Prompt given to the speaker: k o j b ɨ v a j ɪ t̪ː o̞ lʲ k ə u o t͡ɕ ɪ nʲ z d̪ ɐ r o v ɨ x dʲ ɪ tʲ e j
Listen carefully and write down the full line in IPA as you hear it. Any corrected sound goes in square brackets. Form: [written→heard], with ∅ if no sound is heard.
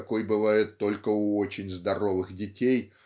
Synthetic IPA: k o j b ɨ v a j ɪ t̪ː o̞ lʲ k ə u o t͡ɕ ɪ nʲ z d̪ ɐ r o v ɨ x dʲ ɪ tʲ e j